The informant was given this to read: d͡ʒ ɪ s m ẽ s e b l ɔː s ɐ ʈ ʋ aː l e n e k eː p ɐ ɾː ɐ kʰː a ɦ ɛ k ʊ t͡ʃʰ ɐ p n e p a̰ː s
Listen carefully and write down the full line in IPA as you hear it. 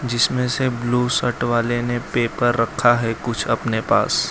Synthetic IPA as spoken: d͡ʒ ɪ s m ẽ s e b l uː s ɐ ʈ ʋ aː l e n e p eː p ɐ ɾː ɐ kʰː a ɦ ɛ k ʊ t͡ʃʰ ɐ p n e p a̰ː s